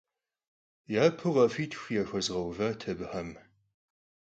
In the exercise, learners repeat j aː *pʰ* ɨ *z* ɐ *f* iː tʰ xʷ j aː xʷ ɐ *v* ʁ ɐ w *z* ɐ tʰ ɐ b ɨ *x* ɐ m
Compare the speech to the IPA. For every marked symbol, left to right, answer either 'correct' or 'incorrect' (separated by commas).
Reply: correct, incorrect, correct, incorrect, incorrect, incorrect